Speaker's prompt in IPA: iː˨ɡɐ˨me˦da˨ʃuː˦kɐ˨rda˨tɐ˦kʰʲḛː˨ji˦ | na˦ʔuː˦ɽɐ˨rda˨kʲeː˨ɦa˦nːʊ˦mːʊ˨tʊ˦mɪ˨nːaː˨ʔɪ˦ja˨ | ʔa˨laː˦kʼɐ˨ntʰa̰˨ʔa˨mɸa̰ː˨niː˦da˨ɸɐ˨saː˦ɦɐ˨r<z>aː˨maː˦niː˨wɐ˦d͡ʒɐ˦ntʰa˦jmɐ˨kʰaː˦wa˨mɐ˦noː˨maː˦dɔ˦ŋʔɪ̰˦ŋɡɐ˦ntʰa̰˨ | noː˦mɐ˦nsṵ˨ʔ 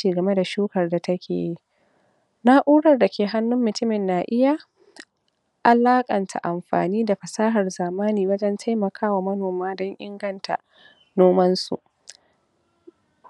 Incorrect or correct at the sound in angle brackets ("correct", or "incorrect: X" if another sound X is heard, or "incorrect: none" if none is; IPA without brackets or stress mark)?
correct